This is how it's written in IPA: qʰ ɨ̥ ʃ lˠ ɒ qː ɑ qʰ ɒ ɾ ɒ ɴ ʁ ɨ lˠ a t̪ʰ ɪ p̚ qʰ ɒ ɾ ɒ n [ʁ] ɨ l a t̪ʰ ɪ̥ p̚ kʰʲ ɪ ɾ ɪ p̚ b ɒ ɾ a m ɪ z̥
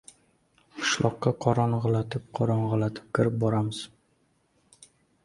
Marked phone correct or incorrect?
correct